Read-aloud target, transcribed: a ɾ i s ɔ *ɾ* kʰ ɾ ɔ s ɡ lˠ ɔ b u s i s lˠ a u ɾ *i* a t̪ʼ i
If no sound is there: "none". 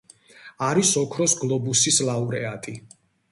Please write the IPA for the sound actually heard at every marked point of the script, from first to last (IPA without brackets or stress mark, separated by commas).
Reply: none, ɛ